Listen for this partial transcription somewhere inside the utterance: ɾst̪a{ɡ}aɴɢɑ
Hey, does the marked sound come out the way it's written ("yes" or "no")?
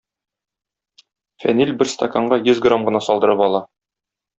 no